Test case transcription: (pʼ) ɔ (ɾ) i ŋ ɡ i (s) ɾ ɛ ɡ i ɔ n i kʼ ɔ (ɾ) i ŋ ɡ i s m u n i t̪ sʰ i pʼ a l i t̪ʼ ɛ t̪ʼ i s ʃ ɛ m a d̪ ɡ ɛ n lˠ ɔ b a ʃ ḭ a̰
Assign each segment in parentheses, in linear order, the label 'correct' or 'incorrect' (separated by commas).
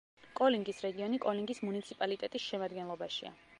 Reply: incorrect, incorrect, correct, incorrect